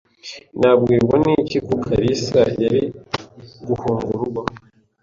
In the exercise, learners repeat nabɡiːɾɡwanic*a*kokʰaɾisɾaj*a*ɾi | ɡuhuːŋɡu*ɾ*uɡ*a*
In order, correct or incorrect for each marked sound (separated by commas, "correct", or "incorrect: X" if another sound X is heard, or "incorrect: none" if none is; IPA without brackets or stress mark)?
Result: incorrect: i, correct, correct, correct